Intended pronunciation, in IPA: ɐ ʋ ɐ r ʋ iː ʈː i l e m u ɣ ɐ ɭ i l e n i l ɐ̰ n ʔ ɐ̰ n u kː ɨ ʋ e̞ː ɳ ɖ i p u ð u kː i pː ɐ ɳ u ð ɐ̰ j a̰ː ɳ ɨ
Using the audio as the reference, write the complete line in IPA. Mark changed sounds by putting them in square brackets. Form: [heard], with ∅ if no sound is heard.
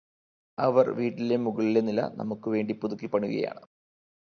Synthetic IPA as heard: ɐ ʋ ɐ r ʋ iː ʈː i l e m u ɣ ɐ ɭ i l e n i l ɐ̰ n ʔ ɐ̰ [m] u kː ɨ ʋ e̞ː ɳ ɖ i p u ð u kː i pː ɐ ɳ u [ɣ] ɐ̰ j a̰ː ɳ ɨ